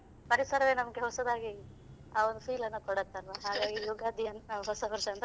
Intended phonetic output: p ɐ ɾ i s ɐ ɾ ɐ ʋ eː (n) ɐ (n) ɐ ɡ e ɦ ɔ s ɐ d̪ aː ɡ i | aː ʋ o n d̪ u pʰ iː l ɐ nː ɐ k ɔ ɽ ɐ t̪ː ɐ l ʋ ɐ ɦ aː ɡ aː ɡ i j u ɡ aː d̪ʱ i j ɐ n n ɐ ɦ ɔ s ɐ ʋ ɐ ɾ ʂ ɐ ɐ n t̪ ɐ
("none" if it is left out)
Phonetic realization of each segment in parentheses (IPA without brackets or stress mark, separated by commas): n, m